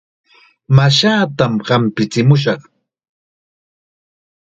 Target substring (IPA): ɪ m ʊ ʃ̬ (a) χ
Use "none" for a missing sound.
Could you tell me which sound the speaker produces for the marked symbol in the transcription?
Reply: ɑ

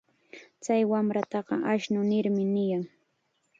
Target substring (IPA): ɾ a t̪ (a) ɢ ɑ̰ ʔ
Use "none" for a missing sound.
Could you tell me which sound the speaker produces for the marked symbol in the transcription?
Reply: ɑ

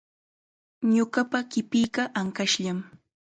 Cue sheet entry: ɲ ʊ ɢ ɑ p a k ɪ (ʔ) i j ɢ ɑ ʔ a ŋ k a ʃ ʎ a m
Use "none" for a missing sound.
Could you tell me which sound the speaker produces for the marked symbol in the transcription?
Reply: p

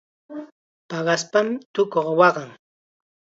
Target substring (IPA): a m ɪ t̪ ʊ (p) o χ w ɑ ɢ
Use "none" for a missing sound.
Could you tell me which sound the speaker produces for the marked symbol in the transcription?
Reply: k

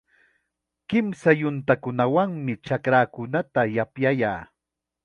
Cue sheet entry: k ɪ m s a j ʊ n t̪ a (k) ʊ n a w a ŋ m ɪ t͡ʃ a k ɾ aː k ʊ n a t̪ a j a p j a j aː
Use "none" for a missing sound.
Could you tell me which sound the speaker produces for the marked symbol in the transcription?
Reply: k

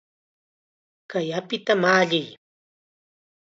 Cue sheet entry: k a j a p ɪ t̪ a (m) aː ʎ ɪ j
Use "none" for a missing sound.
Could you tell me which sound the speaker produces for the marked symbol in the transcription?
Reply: m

